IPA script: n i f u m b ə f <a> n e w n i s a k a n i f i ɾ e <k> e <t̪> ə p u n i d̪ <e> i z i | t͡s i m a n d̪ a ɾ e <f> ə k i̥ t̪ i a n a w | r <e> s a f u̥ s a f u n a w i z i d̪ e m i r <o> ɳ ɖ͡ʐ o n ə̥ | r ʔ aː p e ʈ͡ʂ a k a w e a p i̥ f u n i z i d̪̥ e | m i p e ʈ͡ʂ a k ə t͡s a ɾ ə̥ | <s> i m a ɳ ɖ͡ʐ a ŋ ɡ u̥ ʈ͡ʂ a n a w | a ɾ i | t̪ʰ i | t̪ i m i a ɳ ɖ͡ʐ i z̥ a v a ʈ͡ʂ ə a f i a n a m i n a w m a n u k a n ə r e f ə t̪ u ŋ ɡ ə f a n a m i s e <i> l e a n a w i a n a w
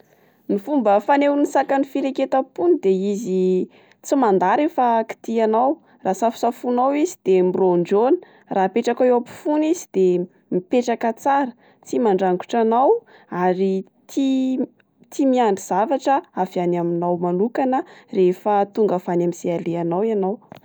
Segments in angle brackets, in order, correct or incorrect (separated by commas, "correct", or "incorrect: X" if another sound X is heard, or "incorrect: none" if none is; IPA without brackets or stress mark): correct, correct, correct, correct, correct, incorrect: a, correct, incorrect: t͡s, incorrect: a